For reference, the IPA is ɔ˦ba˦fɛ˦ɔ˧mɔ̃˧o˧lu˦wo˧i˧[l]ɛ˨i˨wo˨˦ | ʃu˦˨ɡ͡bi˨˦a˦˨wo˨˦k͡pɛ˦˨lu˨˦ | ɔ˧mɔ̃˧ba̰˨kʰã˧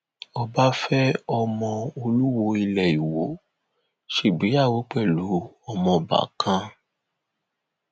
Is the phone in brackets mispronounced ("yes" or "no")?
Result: no